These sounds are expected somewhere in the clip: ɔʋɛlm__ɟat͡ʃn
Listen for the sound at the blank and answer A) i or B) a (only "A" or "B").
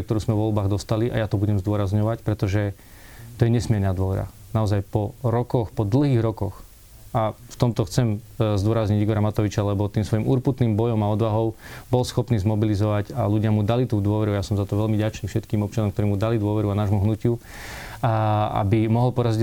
A